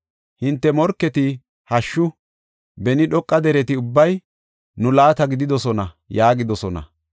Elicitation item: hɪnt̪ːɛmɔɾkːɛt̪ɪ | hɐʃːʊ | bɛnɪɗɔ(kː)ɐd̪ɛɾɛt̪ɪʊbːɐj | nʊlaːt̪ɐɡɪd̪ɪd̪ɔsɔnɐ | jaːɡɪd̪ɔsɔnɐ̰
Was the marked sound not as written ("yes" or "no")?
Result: yes